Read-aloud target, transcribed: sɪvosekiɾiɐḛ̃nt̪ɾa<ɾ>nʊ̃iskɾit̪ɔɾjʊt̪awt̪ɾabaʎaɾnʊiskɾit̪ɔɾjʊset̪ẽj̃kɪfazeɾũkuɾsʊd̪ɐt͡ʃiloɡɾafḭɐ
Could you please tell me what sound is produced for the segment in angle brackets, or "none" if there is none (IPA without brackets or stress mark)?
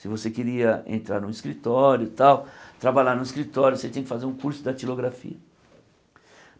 ɾ